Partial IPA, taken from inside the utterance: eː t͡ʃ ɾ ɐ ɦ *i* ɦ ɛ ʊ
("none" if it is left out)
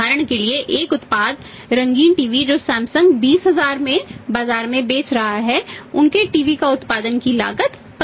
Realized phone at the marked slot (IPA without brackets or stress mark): a